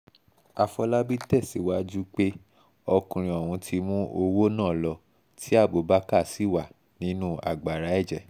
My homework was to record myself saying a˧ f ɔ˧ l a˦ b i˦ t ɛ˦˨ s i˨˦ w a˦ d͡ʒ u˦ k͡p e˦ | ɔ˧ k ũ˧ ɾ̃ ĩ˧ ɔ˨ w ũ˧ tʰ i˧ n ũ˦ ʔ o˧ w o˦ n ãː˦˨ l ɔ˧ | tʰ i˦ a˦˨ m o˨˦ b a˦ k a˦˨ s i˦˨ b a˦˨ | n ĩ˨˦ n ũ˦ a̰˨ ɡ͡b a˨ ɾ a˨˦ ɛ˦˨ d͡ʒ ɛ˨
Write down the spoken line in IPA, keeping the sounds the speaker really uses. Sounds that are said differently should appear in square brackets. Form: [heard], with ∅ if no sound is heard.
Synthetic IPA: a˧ f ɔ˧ l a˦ b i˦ t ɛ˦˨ s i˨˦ w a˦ d͡ʒ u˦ k͡p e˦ | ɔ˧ k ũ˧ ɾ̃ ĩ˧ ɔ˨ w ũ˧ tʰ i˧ [m] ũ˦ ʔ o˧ w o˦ n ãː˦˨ l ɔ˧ | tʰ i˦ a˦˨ [b] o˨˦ b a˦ k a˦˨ s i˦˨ [w] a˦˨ | n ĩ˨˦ n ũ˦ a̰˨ ɡ͡b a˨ ɾ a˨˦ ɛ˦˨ d͡ʒ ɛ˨

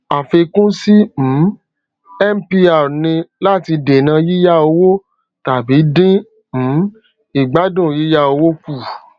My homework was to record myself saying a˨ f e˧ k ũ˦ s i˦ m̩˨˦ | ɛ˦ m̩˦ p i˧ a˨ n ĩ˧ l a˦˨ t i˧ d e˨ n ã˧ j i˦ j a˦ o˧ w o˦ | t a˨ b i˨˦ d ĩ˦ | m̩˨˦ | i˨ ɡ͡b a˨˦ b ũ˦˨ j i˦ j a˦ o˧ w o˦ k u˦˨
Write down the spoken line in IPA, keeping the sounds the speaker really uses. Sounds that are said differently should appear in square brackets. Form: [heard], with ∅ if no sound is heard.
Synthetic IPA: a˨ f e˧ k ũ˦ s i˦ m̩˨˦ | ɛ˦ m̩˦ p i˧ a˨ n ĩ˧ l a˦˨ t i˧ d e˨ n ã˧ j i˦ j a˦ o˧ w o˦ | t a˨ b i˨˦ d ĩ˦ | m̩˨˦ | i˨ ɡ͡b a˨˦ [d] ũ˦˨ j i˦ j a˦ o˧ w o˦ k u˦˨

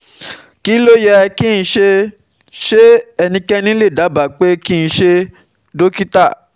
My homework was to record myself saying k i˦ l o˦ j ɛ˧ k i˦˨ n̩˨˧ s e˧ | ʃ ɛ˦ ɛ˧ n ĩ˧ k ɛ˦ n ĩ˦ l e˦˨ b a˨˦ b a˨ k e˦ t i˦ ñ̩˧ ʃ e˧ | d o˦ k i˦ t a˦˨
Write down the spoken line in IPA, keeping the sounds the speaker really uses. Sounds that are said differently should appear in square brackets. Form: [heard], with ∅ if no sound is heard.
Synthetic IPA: k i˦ l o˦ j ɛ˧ k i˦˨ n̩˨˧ [ʃ] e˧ | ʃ [e˦] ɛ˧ n ĩ˧ k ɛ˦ n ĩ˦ l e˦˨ [d] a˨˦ b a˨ [k͡p] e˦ [k] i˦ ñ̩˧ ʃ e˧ | d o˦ k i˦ t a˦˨

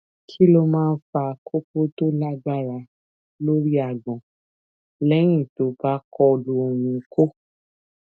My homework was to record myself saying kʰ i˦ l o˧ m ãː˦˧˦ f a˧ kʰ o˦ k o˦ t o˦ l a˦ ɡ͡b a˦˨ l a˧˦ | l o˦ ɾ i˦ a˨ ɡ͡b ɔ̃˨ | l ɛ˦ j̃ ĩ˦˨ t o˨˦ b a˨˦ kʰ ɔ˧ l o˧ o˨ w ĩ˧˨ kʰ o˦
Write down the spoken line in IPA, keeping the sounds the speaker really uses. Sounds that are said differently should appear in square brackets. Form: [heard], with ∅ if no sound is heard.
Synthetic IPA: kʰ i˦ l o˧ m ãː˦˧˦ f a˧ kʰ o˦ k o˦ t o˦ l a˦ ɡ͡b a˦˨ [ɾ] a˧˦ | l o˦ ɾ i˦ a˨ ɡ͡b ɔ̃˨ | l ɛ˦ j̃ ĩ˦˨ t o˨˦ b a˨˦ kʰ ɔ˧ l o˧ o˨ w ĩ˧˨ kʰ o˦

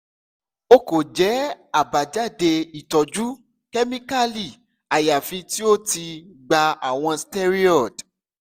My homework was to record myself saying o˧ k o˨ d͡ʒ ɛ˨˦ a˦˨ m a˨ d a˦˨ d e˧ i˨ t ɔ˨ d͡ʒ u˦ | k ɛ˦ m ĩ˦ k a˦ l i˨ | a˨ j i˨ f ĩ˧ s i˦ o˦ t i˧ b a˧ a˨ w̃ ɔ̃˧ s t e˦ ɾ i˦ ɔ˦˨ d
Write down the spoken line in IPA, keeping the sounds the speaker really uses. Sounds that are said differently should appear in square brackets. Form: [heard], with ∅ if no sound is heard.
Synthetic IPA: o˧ k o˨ d͡ʒ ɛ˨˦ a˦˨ [b] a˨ [d͡ʒ] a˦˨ d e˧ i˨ t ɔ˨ d͡ʒ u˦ | k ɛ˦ m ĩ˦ k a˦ l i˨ | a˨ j [a˨] f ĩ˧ [t] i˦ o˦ t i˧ [ɡ͡b] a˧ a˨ w̃ ɔ̃˧ s t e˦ ɾ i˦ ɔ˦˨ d

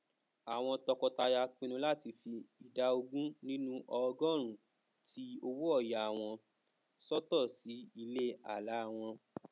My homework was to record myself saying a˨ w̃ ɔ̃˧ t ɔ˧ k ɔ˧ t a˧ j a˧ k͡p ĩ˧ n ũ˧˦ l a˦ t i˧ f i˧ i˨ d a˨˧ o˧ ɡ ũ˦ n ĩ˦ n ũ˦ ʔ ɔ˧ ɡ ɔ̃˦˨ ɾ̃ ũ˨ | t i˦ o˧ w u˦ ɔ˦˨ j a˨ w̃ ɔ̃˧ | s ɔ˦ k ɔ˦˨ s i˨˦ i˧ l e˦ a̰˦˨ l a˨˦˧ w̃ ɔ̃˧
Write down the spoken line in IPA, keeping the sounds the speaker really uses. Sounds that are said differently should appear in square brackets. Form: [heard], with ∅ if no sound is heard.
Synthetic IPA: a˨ w̃ ɔ̃˧ t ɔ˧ k ɔ˧ t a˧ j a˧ k͡p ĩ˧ n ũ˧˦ l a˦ t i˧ f i˧ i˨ d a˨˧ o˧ ɡ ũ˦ n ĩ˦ n ũ˦ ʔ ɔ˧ ɡ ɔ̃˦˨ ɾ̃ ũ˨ | t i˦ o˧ w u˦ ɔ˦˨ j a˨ w̃ ɔ̃˧ | s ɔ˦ [t] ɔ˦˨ s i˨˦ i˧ l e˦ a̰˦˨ l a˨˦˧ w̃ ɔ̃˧

